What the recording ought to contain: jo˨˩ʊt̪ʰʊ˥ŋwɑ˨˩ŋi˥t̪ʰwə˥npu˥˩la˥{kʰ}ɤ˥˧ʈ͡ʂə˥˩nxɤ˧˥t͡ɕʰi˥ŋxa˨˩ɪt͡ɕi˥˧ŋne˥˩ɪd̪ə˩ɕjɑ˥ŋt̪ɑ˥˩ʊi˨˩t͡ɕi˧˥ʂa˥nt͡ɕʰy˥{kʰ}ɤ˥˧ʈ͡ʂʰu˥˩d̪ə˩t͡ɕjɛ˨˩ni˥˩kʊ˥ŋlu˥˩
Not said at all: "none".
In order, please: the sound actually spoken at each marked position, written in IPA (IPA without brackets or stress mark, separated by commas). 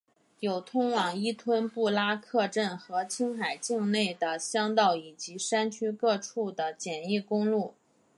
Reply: kʰ, k